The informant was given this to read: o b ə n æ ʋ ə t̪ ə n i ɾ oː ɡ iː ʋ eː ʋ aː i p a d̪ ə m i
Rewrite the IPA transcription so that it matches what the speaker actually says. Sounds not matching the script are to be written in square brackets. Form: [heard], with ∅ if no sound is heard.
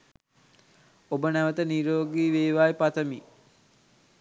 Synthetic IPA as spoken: o b ə n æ ʋ ə t̪ ə n i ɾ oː ɡ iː ʋ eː ʋ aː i p a [t̪] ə m i